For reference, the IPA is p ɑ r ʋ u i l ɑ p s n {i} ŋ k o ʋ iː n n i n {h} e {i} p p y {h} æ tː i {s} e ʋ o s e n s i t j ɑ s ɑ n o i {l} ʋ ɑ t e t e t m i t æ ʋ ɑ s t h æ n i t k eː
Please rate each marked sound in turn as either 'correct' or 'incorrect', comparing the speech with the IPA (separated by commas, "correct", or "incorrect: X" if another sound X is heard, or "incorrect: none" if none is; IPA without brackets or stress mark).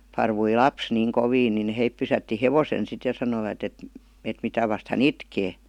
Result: incorrect: iː, correct, correct, incorrect: s, incorrect: h, incorrect: none